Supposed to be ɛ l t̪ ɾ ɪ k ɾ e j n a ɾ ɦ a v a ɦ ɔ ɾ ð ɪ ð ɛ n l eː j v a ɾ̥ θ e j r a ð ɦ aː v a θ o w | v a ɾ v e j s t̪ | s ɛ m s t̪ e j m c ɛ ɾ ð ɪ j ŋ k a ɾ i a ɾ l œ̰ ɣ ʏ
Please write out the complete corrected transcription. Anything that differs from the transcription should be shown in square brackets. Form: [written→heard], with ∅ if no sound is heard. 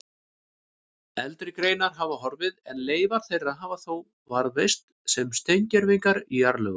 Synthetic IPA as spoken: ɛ l t̪ ɾ ɪ k ɾ e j n a ɾ ɦ a v a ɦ ɔ ɾ [ð→v] ɪ ð ɛ n l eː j v a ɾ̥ θ e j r a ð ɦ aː v a θ o w | v a ɾ v e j s t̪ | s ɛ m s t̪ e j [m→ɲ] c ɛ ɾ [ð→v] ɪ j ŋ k a ɾ i a ɾ l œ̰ ɣ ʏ

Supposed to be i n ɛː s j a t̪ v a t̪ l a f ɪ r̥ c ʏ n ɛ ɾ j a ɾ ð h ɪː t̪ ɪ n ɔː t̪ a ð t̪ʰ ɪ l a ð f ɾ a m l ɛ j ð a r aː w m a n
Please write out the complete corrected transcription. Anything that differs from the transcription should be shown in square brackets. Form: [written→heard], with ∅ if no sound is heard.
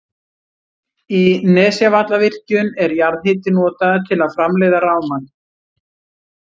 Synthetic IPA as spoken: i n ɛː s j a [t̪→∅] v a t̪ l a [f→v] ɪ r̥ c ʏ n ɛ ɾ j a ɾ ð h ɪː t̪ ɪ n ɔː t̪ a ð t̪ʰ ɪ l a ð f ɾ a m l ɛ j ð a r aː w m a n

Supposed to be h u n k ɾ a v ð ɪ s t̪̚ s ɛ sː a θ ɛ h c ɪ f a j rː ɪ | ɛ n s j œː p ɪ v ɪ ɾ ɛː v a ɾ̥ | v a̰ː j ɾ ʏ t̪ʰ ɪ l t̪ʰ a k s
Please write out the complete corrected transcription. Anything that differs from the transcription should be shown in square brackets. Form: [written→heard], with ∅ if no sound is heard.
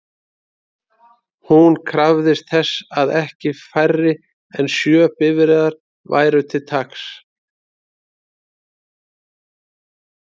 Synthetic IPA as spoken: h u n [k→kʰ] ɾ a v ð ɪ s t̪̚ [s→θ] ɛ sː a [θ→ð] ɛ h c ɪ f a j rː ɪ | ɛ n s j œː p ɪ v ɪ ɾ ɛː [v→ð] a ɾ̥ | v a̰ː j ɾ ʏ t̪ʰ ɪ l t̪ʰ a k s

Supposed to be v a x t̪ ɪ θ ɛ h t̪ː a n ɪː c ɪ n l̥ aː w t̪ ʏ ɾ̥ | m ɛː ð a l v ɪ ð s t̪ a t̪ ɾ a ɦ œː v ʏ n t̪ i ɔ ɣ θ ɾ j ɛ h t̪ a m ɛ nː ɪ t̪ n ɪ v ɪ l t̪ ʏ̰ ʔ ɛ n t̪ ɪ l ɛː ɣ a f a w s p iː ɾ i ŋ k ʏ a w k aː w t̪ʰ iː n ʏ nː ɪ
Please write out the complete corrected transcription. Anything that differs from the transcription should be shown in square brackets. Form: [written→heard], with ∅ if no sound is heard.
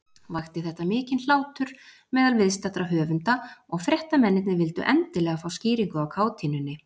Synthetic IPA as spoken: v a x t̪ ɪ θ ɛ h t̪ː a [n→m] ɪː c ɪ n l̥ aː w t̪ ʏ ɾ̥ | m ɛː ð a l v ɪ ð s t̪ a t̪ ɾ a ɦ œː v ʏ n t̪ [i→a] ɔ ɣ [θ→f] ɾ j ɛ h t̪ a m ɛ nː ɪ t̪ n ɪ v ɪ l t̪ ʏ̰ ʔ ɛ n t̪ ɪ l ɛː ɣ a f a w s [p→c] iː ɾ i ŋ k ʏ a w [k→kʰ] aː w t̪ʰ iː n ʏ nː ɪ

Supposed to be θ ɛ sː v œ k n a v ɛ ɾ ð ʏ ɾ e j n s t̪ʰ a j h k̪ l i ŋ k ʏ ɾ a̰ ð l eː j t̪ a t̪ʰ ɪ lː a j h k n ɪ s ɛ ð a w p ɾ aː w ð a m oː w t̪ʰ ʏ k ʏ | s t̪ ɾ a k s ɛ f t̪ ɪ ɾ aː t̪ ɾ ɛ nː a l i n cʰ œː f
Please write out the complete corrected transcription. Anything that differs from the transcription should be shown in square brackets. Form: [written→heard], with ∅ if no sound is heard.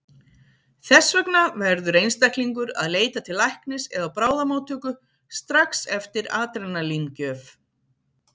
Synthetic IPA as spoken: θ ɛ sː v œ k n a v ɛ ɾ ð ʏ ɾ e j n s [t̪ʰ→t̪] a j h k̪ l i ŋ k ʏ ɾ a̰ ð l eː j t̪ a t̪ʰ ɪ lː a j h k n ɪ s ɛ ð a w p ɾ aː w ð a m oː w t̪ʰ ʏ k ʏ | s t̪ ɾ a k s ɛ f t̪ ɪ ɾ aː t̪ ɾ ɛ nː a l i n [cʰ→c] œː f

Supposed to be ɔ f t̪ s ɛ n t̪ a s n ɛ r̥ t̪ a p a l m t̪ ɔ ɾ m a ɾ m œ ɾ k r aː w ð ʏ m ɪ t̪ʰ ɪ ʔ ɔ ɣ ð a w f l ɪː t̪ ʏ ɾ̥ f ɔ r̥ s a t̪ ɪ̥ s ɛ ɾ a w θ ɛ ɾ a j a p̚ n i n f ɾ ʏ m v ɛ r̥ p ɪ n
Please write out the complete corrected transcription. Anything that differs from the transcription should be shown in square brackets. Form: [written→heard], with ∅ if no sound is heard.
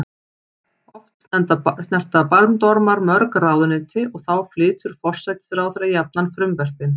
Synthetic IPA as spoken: ɔ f t̪ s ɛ n t̪ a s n ɛ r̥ t̪ a p a l m t̪ ɔ ɾ m a ɾ m œ ɾ k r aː w ð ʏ [m→n] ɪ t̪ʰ ɪ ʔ ɔ ɣ [ð→θ] a w f l ɪː t̪ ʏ ɾ̥ f ɔ r̥ s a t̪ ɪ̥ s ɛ ɾ a w θ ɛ ɾ a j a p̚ n [i→a] n f ɾ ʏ m v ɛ r̥ p ɪ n

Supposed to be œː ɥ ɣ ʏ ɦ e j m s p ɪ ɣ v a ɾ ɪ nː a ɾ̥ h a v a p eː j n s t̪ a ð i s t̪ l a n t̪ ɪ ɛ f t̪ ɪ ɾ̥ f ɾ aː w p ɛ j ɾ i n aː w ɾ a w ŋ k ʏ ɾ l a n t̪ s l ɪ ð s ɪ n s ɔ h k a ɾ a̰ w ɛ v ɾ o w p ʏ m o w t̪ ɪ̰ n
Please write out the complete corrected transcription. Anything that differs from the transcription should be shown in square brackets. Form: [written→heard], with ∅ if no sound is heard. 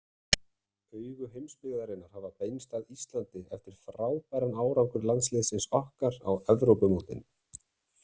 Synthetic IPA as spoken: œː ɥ ɣ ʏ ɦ e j m s p ɪ ɣ [v→ð] a ɾ ɪ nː a ɾ̥ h a v a p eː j n s t̪ a ð i s t̪ l a n t̪ ɪ ɛ f t̪ ɪ ɾ̥ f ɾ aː w p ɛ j ɾ [i→a] n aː w ɾ a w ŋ k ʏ ɾ l a n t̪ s l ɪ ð s ɪ n s ɔ h k a ɾ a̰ w ɛ v ɾ o w p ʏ m o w t̪ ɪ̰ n

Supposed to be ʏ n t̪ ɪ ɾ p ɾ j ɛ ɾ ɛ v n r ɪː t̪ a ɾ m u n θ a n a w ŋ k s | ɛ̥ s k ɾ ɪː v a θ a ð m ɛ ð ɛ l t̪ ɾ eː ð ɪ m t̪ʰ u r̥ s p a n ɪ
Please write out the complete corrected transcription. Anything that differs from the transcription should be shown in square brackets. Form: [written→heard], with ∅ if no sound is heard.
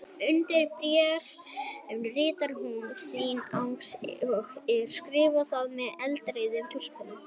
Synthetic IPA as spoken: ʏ n t̪ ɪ ɾ p ɾ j ɛ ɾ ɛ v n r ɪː t̪ a ɾ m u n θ [a→i] n a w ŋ k s | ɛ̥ s k ɾ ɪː v a θ a ð m ɛ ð ɛ l t̪ ɾ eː ð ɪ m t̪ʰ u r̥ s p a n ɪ

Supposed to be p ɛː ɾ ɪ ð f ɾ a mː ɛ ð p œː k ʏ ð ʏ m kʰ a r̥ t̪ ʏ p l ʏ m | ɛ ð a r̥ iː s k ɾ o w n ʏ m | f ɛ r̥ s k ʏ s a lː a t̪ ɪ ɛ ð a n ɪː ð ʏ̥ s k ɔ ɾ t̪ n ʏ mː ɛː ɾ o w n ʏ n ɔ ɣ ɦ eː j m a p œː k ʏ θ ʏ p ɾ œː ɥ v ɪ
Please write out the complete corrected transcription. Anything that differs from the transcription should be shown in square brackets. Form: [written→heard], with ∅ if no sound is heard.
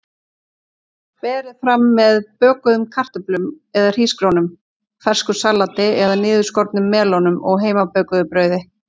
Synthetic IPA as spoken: p ɛː ɾ ɪ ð f ɾ a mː ɛ ð p œː k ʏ ð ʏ m kʰ a r̥ t̪ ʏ p l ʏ m | ɛ ð a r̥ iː s k ɾ o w n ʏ m | f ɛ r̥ s k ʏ s a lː a t̪ ɪ ɛ ð a n ɪː ð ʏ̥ s k ɔ ɾ t̪ n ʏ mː ɛː [ɾ→l] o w n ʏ [n→m] ɔ ɣ ɦ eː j m a p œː k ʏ [θ→ð] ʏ p ɾ œː ɥ [v→ð] ɪ

